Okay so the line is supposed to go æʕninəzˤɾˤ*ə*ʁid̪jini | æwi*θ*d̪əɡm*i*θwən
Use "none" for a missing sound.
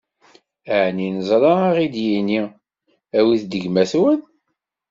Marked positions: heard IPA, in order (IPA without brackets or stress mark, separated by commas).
ɑ, θ, æ